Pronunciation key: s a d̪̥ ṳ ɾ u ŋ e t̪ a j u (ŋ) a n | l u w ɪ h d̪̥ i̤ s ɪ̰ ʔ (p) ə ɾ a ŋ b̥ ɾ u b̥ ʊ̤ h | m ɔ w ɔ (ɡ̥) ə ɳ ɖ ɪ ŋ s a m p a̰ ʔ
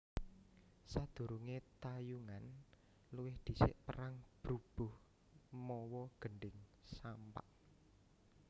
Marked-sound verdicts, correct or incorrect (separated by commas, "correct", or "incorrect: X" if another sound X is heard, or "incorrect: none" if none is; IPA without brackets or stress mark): correct, correct, correct